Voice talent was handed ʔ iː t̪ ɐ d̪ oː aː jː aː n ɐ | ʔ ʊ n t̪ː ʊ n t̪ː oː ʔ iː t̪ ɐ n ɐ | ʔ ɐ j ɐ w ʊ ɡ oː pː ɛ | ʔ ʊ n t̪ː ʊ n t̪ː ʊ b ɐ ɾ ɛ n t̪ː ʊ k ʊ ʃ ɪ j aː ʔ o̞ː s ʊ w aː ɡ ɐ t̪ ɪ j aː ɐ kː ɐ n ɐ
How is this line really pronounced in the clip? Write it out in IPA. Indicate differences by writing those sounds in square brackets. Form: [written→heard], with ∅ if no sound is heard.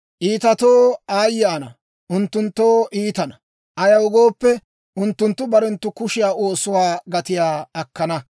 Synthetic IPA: ʔ iː t̪ ɐ [d̪→t̪] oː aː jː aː n ɐ | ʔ ʊ n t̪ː ʊ n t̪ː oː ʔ iː t̪ ɐ n ɐ | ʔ ɐ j ɐ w ʊ ɡ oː pː ɛ | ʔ ʊ n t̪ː ʊ n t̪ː ʊ b ɐ ɾ ɛ n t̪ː ʊ k ʊ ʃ ɪ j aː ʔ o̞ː s ʊ w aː ɡ ɐ t̪ ɪ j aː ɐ kː ɐ n ɐ